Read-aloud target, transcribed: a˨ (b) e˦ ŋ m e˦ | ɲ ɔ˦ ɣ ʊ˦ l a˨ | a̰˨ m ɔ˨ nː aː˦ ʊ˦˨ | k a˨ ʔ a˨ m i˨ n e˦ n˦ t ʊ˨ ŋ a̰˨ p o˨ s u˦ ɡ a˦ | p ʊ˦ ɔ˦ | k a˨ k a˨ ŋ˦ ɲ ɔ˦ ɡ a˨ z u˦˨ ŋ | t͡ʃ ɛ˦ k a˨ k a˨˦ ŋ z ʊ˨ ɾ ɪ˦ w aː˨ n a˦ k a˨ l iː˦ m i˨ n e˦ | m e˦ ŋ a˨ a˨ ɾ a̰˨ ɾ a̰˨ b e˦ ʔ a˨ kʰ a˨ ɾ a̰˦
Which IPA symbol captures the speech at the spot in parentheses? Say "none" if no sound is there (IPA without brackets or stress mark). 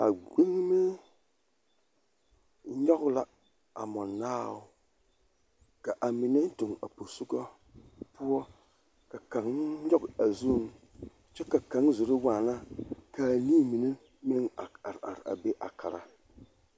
ɡ͡b